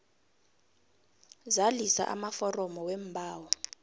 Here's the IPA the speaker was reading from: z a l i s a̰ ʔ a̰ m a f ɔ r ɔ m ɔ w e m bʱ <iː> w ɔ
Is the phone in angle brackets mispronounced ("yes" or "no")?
yes